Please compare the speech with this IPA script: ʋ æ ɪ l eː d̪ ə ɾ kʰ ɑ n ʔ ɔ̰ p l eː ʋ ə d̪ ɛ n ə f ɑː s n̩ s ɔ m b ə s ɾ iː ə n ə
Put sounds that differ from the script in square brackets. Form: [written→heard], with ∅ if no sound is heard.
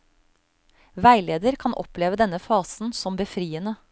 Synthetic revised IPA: ʋ æ ɪ l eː d̪ ə ɾ kʰ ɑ n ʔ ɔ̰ p l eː ʋ ə d̪ ɛ n ə f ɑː s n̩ s ɔ m b ə [s→f] ɾ iː ə n ə